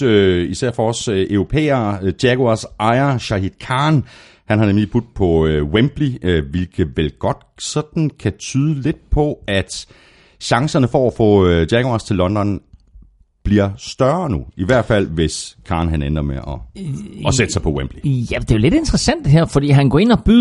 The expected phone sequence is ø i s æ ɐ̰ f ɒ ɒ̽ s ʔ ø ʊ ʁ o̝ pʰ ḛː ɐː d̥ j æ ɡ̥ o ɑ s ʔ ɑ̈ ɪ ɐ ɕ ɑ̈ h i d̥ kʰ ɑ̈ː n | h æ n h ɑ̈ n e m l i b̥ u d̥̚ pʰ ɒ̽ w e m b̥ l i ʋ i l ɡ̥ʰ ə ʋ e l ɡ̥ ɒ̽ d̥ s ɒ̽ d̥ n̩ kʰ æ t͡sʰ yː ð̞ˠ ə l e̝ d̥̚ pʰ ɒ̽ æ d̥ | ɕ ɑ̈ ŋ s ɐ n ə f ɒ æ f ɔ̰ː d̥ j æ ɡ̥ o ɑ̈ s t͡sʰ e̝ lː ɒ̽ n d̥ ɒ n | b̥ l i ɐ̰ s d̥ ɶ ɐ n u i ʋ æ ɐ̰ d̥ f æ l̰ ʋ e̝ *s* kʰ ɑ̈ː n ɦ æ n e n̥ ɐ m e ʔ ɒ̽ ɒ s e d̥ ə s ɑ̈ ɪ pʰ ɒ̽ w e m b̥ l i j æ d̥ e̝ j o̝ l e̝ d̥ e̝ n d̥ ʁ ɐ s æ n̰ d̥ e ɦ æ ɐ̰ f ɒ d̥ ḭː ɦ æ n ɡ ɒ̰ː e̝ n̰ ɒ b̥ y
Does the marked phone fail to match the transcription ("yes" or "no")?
no